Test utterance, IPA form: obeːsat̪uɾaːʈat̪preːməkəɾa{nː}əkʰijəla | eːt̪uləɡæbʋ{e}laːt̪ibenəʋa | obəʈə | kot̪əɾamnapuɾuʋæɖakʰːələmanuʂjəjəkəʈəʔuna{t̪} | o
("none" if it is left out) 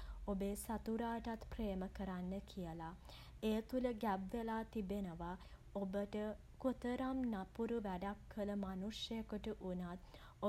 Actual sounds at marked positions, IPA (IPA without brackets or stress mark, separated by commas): nː, e, t̪